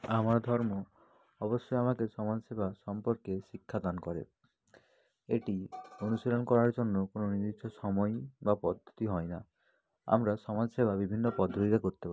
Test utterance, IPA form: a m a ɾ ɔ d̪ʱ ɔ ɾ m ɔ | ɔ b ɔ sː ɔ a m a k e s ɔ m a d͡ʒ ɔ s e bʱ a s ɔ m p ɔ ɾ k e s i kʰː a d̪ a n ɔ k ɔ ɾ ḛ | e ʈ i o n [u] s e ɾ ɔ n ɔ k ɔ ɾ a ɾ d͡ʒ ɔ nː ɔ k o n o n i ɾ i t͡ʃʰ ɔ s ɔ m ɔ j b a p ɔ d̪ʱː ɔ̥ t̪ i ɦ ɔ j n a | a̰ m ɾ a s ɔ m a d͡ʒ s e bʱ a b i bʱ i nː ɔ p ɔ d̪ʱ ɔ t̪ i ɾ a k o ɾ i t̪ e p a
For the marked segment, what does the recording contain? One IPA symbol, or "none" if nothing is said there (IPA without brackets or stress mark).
u